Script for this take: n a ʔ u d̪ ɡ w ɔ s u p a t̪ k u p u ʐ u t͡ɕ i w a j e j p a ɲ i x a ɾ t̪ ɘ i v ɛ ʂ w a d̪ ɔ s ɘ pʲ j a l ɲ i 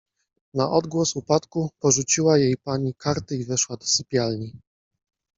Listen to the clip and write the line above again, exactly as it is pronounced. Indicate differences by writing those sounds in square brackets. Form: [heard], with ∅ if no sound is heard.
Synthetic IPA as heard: n a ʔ [ɔ] d̪ ɡ w ɔ s u p a t̪ k u p [ɔ] ʐ u t͡ɕ i w a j e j p a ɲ i [k] a ɾ t̪ ɘ i v ɛ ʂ w a d̪ ɔ s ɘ pʲ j a l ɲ i